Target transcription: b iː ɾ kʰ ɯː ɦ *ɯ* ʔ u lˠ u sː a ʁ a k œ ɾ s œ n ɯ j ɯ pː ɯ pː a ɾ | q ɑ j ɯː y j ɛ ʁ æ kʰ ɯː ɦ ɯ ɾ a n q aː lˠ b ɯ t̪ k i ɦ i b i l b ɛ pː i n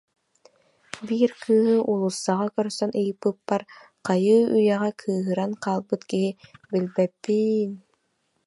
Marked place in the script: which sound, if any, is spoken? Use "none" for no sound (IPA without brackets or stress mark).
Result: ɯ